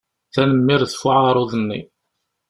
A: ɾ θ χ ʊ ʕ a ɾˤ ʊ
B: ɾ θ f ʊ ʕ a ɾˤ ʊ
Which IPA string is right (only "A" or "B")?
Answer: B